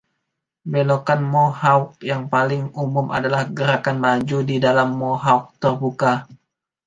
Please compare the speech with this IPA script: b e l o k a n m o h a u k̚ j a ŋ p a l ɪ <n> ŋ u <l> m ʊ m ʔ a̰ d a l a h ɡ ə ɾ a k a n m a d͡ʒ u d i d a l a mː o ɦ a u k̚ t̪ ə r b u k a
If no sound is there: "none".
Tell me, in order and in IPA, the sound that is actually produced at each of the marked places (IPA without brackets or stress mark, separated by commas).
none, none